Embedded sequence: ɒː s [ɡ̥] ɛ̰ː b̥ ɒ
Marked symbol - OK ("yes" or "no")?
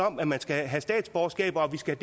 yes